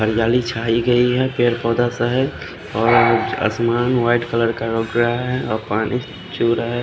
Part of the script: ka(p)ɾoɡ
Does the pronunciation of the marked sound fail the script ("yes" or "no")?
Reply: yes